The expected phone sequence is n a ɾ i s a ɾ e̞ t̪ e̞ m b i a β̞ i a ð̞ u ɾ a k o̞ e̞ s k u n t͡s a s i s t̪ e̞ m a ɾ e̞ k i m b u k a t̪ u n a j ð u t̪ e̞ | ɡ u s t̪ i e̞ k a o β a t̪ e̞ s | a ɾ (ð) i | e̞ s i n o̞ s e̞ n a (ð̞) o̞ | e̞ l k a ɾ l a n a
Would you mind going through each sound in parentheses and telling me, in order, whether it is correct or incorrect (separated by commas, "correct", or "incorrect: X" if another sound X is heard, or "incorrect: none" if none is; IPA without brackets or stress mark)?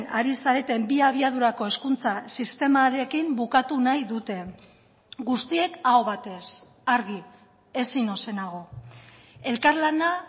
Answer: incorrect: ɣ, incorrect: ɣ̞